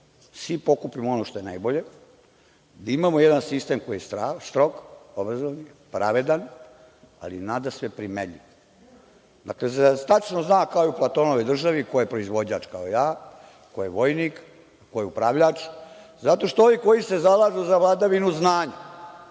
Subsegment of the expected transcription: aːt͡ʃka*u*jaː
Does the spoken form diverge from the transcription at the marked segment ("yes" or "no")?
yes